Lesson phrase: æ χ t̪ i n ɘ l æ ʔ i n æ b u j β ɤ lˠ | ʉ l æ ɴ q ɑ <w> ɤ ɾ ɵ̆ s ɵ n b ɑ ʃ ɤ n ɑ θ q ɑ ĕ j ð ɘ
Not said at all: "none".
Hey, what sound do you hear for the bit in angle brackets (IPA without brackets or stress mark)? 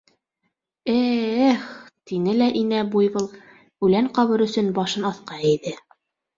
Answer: β